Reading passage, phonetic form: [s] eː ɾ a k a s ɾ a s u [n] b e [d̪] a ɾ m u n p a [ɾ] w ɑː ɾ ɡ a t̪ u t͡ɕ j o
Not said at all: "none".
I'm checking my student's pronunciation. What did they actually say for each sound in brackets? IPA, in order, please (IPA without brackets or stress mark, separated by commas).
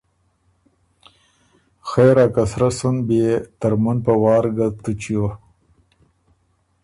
x, n, t̪, none